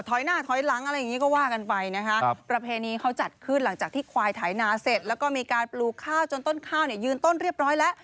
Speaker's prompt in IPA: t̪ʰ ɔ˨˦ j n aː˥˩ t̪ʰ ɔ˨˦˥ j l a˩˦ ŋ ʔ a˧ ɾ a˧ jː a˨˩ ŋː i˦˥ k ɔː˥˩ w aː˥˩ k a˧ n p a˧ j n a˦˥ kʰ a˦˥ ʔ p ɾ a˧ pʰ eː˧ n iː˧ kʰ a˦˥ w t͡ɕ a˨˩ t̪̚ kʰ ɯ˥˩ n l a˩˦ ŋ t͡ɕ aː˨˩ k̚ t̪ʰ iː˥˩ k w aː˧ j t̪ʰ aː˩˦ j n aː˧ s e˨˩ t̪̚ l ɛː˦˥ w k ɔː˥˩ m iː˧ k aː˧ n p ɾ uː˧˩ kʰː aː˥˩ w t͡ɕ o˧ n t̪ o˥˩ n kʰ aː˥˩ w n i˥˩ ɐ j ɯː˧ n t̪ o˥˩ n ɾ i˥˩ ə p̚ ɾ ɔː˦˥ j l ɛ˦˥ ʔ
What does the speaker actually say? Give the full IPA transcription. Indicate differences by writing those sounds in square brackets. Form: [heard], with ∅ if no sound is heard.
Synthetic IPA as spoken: t̪ʰ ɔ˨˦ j n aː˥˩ t̪ʰ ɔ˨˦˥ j l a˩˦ ŋ ʔ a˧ ɾ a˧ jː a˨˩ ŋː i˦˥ k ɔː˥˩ w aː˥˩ k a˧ n p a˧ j n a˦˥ kʰ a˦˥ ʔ p ɾ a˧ pʰ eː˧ n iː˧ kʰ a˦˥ w t͡ɕ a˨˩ t̪̚ kʰ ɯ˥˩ n l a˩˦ ŋ t͡ɕ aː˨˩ k̚ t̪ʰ iː˥˩ [kʰ] w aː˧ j t̪ʰ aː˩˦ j n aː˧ s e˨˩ t̪̚ l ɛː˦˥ w k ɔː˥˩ m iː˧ k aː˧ n p [l] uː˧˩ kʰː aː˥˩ w t͡ɕ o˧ n t̪ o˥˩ n kʰ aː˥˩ w n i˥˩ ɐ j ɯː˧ n t̪ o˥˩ n ɾ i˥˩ ə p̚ ɾ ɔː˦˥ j l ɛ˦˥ ʔ